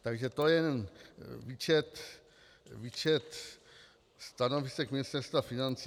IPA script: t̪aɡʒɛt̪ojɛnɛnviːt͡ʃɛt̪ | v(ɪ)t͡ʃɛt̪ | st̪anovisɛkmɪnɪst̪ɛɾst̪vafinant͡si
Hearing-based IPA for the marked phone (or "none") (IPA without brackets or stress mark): i